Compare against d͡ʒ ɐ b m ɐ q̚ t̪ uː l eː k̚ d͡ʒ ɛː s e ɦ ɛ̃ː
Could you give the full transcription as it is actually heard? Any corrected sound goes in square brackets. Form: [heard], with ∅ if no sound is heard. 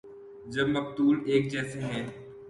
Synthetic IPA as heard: d͡ʒ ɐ b m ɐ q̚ t̪ uː l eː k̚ d͡ʒ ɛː s e ɦ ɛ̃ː